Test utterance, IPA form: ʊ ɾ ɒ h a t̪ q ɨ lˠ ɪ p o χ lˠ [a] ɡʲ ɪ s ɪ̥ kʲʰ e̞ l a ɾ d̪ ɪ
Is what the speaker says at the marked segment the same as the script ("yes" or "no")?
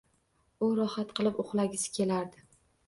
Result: yes